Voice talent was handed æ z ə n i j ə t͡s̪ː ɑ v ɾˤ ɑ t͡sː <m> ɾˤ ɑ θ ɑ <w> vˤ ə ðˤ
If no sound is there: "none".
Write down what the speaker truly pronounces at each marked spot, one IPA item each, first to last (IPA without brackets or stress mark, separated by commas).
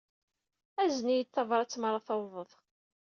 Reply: m, w